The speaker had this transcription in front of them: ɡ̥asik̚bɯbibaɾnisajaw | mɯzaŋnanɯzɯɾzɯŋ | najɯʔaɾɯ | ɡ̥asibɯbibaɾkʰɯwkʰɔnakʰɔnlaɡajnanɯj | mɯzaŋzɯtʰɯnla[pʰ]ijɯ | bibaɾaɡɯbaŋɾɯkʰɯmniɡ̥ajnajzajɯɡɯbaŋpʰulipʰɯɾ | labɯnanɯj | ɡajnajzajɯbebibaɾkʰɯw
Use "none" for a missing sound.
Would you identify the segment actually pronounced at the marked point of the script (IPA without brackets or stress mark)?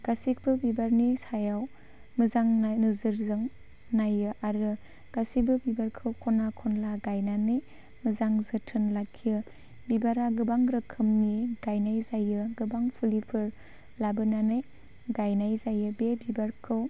kʰ